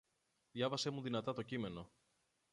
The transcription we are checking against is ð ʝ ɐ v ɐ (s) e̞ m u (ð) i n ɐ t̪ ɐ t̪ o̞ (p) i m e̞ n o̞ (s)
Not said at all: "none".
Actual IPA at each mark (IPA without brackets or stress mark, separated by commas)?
s, ð, c, none